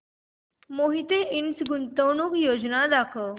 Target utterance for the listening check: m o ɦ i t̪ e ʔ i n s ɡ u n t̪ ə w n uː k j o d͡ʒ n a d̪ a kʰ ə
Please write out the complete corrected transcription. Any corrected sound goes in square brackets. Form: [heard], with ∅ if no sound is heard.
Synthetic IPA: m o ɦ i t̪ e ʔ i n s ɡ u n t̪ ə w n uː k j o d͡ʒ n a d̪ a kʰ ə